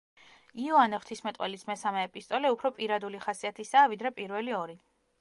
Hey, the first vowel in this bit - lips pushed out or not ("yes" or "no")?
no